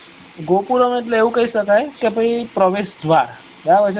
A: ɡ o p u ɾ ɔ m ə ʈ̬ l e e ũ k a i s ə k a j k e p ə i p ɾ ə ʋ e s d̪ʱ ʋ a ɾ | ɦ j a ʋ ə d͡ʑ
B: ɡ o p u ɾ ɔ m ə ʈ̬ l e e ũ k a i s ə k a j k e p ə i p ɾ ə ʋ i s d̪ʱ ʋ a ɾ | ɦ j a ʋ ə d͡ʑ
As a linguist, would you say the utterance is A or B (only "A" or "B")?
A